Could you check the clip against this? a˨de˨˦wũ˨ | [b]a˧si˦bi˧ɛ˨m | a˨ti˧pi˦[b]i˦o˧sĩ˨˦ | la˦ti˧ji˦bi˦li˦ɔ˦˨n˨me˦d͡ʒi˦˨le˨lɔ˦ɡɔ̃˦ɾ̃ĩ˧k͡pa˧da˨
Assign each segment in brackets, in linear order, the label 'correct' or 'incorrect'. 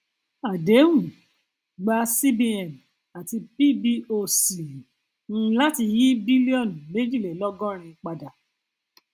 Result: incorrect, correct

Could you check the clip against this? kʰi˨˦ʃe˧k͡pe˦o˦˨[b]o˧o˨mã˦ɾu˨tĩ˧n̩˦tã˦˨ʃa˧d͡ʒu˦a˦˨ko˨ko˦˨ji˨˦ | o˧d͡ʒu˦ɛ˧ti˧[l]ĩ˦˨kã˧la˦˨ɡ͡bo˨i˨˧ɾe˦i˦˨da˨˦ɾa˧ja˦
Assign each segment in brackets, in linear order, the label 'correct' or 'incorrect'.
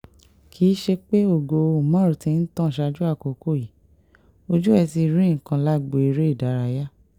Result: incorrect, incorrect

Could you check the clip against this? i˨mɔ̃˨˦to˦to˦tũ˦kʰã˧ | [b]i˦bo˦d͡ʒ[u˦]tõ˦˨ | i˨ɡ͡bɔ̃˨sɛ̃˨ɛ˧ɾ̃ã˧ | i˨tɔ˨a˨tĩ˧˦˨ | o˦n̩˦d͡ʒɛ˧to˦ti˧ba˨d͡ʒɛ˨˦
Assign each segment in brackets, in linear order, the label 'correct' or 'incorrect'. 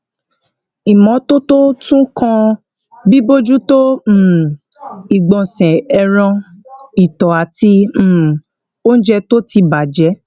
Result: correct, correct

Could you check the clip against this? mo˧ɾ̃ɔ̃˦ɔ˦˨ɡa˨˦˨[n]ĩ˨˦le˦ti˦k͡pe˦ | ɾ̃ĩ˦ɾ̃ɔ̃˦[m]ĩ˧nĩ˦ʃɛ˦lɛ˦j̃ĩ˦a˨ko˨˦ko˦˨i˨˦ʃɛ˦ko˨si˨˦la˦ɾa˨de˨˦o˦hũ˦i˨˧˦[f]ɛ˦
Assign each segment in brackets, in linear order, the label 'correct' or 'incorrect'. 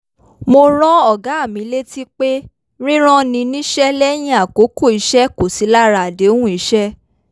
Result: incorrect, incorrect, incorrect

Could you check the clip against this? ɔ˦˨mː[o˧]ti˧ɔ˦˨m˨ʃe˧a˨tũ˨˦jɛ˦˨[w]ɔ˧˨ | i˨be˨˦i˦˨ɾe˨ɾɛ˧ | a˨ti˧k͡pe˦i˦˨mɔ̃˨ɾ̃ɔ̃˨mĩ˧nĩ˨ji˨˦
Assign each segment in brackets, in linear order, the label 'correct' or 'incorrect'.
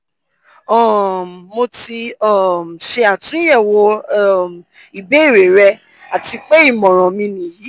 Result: correct, correct

